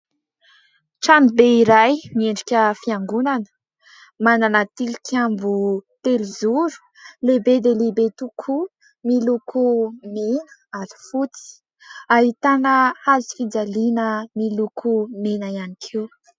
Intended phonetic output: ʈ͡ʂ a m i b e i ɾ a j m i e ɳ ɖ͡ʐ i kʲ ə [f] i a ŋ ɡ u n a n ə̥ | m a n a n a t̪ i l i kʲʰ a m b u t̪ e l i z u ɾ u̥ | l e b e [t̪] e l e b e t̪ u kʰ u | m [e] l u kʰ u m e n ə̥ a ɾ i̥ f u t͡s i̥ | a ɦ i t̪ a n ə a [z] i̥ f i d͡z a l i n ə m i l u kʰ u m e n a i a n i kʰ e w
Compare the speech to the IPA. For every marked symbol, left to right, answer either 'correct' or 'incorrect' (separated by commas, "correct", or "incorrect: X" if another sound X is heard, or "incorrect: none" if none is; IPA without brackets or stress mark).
correct, incorrect: d̪, incorrect: i, correct